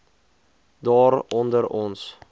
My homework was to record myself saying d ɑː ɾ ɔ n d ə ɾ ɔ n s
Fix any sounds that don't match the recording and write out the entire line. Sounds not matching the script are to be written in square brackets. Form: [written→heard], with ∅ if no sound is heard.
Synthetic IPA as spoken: d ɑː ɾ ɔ n d ə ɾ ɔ n s

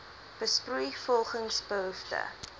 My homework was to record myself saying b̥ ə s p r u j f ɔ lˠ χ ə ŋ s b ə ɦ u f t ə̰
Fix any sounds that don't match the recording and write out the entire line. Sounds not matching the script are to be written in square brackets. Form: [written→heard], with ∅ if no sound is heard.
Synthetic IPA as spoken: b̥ ə s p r u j f ɔ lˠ χ ə ŋ s b ə ɦ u f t ə̰

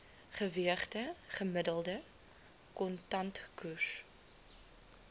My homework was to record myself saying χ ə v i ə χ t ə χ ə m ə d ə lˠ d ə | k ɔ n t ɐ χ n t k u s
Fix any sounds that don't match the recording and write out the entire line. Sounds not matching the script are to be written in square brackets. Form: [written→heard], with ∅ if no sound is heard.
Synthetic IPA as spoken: χ ə v i ə χ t ə χ ə m ə d ə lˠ d ə | k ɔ n t ɐ [χ→∅] n t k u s

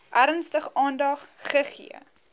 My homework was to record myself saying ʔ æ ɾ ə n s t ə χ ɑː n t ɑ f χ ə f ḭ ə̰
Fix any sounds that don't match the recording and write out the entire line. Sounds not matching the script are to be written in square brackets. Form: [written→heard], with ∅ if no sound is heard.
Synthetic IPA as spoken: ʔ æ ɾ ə n s t ə χ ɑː n [t→d] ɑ [f→χ] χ ə [f→χ] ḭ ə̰

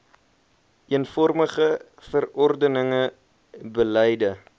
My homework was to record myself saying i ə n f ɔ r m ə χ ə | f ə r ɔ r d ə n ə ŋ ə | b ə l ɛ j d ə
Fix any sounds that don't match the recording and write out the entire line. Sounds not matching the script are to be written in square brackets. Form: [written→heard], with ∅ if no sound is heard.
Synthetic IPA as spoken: i ə n f ɔ r m ə χ ə | f ə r ɔ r d ə n ə ŋ ə | b ə l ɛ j d ə

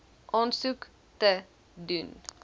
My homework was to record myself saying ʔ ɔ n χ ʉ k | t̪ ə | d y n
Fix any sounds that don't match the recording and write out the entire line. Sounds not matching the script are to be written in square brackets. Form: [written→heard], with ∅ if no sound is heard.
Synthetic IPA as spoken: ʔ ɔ n [χ→s] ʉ k | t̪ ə | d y n

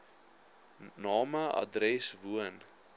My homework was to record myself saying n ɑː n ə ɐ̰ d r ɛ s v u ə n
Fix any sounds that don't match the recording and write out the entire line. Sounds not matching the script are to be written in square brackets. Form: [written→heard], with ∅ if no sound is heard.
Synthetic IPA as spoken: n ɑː [n→m] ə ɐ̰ d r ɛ s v u ə n

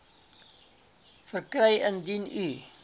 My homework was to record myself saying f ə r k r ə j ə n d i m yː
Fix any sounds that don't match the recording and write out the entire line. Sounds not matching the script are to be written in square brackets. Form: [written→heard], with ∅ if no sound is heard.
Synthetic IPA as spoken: f ə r k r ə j ə n d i [m→n] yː

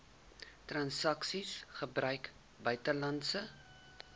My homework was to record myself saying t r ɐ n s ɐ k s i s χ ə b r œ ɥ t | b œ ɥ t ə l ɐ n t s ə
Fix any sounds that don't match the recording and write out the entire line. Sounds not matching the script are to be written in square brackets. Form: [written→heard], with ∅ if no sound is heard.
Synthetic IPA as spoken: t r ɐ n s ɐ k s i s χ ə b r œ ɥ [t→k] | b œ ɥ t ə l ɐ n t s ə

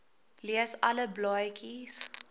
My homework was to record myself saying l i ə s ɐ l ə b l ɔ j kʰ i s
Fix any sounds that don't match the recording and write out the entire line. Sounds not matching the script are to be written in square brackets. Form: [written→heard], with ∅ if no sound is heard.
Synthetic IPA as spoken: l i ə s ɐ l ə b l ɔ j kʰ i s

